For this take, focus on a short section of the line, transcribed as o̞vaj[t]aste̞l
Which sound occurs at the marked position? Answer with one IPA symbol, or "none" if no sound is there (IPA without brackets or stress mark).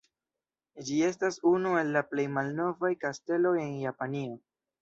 k